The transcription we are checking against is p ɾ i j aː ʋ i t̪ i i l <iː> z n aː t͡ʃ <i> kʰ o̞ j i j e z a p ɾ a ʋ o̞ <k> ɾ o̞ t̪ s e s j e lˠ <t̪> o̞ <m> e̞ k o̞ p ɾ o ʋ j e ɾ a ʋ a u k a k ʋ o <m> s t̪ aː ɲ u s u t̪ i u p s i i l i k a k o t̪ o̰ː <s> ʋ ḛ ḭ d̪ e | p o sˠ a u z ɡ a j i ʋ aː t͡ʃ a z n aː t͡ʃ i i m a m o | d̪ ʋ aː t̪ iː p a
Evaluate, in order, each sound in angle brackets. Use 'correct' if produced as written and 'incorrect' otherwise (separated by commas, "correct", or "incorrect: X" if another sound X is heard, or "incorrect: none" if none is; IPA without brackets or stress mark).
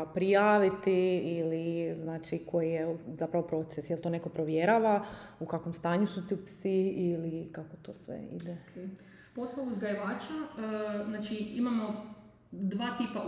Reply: incorrect: i, correct, incorrect: p, correct, incorrect: n, correct, correct